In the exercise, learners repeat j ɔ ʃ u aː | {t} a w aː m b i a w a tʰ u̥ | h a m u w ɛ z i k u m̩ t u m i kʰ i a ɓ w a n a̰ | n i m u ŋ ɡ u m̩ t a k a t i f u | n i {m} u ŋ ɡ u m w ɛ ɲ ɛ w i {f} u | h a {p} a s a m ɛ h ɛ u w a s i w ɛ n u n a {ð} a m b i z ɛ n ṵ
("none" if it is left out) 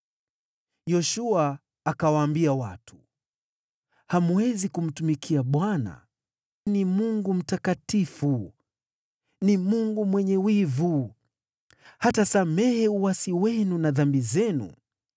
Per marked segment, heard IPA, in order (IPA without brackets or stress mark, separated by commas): k, m, v, t, ð